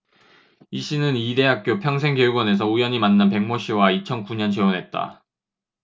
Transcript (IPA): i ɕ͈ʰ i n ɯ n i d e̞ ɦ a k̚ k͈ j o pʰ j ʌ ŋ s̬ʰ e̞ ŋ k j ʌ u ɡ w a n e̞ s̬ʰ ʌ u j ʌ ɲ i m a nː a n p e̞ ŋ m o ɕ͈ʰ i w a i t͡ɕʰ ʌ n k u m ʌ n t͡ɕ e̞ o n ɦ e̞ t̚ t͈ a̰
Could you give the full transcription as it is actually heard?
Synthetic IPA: i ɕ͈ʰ i n ɯ n i d e̞ ɦ a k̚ k͈ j o pʰ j ʌ ŋ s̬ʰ e̞ ŋ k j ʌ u ɡ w ʌ n e̞ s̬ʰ ʌ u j ʌ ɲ i m a nː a n p e̞ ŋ m o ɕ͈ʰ i w a i t͡ɕʰ ʌ n k u ɲ ʌ n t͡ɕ e̞ o n ɦ e̞ t̚ t͈ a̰